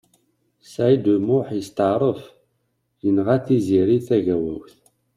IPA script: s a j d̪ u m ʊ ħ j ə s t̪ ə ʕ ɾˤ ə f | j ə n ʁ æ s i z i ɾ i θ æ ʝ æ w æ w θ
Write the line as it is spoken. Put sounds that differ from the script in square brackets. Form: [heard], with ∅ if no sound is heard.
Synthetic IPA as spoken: s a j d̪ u m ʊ ħ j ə s t̪ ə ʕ ɾˤ ə f | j ə n ʁ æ [θ] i z i ɾ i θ æ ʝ æ w æ w θ